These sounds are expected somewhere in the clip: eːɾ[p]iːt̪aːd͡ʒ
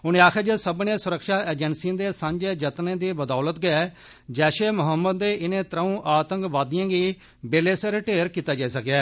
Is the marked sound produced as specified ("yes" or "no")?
no